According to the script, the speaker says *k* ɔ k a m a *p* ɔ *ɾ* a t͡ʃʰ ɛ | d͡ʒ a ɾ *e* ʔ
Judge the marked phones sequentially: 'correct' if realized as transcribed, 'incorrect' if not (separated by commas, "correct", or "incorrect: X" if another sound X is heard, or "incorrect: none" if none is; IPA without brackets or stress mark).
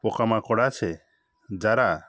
incorrect: p, incorrect: k, incorrect: ɽ, incorrect: a